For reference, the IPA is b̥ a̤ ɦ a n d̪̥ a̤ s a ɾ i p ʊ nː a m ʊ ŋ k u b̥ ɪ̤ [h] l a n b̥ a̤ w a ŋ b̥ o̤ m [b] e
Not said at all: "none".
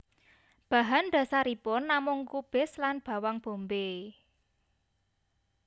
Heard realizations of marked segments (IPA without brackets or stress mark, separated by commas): s, b